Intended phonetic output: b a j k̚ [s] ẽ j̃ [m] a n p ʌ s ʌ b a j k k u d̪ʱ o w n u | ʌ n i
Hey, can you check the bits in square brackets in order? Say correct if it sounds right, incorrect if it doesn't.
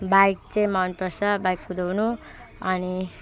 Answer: incorrect: t͡s, correct

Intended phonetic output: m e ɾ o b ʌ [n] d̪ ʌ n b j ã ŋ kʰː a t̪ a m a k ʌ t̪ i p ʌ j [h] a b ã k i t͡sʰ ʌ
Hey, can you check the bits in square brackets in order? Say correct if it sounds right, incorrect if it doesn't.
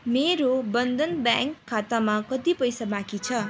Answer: correct, incorrect: s

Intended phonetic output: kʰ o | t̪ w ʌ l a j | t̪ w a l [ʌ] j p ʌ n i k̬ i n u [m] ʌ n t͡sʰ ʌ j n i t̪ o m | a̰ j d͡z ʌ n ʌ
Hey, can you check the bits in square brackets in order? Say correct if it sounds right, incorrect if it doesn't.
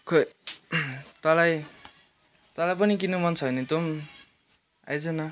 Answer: incorrect: a, correct

